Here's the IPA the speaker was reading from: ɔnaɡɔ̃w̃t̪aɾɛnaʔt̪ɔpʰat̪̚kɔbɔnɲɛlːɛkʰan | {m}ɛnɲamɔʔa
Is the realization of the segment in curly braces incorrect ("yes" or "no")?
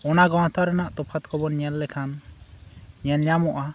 yes